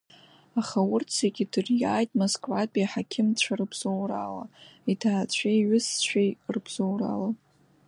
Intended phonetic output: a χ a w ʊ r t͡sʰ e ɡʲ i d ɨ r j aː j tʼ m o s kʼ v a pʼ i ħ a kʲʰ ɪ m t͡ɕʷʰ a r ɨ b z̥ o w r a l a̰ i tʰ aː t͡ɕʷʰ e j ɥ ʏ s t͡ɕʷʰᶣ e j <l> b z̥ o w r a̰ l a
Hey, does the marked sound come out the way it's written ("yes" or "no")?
no